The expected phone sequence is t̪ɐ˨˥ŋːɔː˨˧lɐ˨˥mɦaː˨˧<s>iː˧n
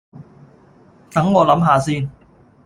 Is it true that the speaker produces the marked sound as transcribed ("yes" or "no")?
yes